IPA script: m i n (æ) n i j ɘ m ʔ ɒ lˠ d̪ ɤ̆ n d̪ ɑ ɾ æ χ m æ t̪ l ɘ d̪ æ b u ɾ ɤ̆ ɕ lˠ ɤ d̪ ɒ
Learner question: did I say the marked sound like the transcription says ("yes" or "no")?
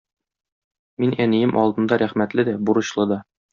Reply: yes